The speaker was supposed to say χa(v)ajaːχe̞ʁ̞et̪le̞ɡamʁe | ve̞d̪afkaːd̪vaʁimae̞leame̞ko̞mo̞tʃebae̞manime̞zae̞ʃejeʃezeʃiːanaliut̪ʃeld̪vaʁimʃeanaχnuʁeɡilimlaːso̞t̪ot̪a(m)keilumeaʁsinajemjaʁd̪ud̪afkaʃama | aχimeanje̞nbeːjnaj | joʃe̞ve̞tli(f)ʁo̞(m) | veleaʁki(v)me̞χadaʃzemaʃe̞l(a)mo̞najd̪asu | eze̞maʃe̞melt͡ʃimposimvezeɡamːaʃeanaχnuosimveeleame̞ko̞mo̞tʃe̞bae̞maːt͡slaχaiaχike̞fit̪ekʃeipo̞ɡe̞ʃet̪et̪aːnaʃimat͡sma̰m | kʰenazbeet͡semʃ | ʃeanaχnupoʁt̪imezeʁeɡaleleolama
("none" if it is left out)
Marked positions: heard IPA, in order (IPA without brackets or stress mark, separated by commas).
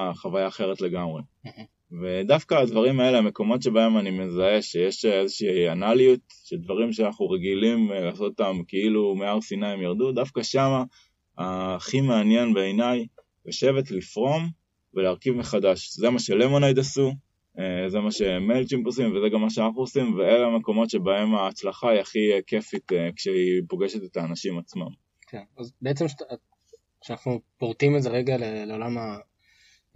v, m, f, m, v, e